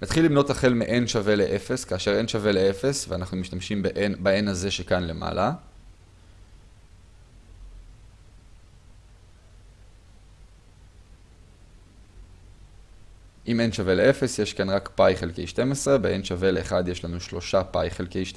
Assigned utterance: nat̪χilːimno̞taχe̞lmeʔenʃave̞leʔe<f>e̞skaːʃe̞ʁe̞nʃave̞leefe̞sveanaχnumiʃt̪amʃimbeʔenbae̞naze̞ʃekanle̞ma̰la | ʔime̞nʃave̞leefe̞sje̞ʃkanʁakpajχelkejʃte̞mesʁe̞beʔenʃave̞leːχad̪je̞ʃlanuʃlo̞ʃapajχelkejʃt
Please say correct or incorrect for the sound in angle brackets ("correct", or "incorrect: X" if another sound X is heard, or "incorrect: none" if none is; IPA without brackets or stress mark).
correct